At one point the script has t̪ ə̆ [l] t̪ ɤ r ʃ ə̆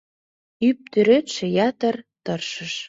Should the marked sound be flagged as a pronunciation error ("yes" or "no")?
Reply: yes